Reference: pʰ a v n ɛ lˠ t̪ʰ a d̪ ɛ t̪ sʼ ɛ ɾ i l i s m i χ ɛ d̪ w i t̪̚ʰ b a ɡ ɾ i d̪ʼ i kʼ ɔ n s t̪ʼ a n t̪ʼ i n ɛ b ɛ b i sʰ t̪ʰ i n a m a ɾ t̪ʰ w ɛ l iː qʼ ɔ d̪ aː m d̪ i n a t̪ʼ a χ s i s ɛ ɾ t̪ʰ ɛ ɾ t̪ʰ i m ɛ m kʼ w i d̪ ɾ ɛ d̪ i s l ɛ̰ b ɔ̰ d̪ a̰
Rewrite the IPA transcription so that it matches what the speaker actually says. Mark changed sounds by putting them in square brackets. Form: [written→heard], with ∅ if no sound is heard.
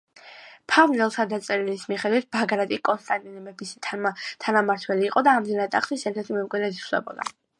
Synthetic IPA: pʰ a v n ɛ lˠ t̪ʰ a d̪ [ɛ→a] t̪ sʼ ɛ ɾ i l i s m i χ ɛ d̪ w i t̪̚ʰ b a ɡ ɾ [i→a] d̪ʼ i kʼ ɔ n s t̪ʼ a n t̪ʼ i n ɛ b ɛ b i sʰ t̪ʰ [i→a] n a m a ɾ t̪ʰ w ɛ l iː qʼ ɔ d̪ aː m d̪ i n a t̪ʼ a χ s i s ɛ ɾ t̪ʰ ɛ ɾ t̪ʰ i m ɛ m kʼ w i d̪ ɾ ɛ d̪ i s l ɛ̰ b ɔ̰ d̪ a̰